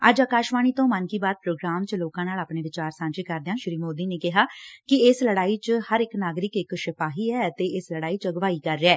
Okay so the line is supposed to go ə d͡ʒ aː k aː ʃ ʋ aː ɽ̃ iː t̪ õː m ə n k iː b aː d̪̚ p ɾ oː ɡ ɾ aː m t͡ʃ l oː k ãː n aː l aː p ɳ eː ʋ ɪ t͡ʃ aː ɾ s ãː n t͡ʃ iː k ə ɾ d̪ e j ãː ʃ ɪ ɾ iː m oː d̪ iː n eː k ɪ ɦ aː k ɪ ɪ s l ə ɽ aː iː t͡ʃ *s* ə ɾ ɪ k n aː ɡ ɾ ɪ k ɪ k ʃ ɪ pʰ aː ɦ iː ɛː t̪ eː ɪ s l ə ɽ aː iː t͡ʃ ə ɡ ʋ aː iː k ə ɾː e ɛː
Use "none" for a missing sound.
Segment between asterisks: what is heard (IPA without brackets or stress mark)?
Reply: h